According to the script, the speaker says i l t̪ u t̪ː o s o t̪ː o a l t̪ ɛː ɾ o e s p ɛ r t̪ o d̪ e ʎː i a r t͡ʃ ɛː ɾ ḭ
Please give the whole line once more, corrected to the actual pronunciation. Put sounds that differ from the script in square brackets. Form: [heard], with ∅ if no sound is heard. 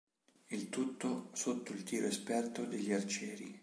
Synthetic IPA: i l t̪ u t̪ː o s o t̪ː o [i] l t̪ [iː] ɾ o e s p ɛ r t̪ o d̪ e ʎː i a r t͡ʃ ɛː ɾ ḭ